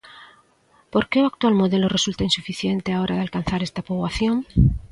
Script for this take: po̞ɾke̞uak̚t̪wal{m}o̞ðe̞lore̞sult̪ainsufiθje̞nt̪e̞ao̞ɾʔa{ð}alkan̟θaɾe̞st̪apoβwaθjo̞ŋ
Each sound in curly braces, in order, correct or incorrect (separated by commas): correct, correct